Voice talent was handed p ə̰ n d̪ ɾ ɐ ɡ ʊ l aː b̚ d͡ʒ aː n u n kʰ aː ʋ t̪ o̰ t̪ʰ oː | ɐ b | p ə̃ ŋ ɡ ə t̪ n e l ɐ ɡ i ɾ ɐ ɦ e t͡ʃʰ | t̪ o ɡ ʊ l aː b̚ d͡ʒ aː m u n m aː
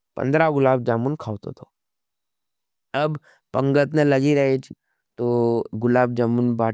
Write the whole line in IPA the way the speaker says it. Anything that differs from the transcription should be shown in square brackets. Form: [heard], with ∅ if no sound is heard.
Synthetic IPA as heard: p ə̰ n d̪ ɾ [a] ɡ ʊ l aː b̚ d͡ʒ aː [m] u n kʰ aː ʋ t̪ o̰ t̪ʰ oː | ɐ b | p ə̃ ŋ ɡ ə t̪ n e l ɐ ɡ i ɾ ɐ ɦ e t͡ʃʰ | t̪ o ɡ ʊ l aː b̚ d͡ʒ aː m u n [b] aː